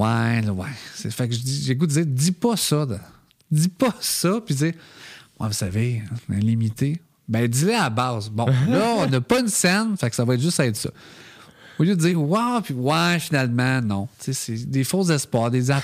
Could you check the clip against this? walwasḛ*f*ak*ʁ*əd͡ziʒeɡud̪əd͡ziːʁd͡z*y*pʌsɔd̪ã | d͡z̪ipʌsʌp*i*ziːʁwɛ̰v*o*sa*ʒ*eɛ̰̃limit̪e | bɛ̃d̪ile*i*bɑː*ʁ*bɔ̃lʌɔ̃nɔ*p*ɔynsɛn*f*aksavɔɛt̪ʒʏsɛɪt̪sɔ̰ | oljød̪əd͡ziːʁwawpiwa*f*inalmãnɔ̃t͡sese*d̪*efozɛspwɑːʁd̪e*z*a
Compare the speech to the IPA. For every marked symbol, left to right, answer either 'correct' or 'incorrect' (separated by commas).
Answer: correct, incorrect, incorrect, correct, incorrect, incorrect, incorrect, incorrect, correct, correct, correct, correct, correct